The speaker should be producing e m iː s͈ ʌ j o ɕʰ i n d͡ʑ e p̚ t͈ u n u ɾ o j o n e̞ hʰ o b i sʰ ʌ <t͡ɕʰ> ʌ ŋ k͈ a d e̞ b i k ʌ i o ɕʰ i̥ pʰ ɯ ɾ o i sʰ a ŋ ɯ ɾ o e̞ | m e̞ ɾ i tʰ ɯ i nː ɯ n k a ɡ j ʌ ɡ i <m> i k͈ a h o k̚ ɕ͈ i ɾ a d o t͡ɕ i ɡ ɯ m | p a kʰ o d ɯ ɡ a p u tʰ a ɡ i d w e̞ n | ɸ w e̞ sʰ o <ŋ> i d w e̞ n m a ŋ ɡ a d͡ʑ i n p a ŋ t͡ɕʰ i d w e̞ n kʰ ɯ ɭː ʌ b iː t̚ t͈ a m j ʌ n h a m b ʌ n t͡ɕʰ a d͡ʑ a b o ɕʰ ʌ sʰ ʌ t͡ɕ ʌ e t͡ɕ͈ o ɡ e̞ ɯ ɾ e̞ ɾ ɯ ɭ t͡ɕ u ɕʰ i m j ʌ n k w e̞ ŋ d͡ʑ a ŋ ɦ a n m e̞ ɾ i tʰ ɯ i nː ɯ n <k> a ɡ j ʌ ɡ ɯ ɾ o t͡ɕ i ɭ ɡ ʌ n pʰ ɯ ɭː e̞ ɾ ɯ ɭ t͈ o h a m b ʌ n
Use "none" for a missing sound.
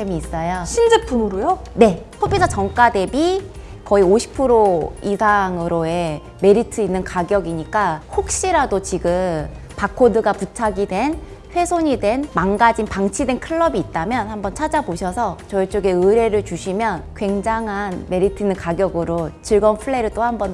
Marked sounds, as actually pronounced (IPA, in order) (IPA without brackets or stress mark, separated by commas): t͡ɕ, ɲ, ɲ, k